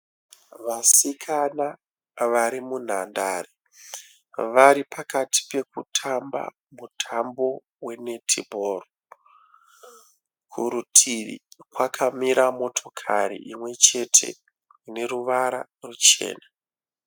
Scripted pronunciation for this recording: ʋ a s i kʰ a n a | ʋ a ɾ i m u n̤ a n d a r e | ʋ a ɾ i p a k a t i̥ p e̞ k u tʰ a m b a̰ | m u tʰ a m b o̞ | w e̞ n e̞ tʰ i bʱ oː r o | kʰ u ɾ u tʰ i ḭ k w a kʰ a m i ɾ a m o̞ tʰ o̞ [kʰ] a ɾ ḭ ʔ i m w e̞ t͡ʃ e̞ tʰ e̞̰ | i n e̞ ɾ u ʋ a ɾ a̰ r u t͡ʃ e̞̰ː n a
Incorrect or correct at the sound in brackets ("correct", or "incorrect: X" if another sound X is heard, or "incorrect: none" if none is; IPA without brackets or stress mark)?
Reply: correct